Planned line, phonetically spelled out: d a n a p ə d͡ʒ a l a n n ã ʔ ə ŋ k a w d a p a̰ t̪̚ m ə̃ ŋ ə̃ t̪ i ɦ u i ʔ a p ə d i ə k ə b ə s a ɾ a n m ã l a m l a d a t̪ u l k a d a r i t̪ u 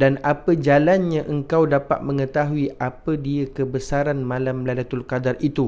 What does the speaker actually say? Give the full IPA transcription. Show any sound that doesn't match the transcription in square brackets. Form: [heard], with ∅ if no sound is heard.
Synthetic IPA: d a n a p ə d͡ʒ a l a n [ɲ] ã ʔ ə ŋ k a w d a p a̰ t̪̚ m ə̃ ŋ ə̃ t̪ [a] ɦ u i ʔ a p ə d i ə k ə b ə s a ɾ a n m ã l a m l a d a t̪ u l k a d a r i t̪ u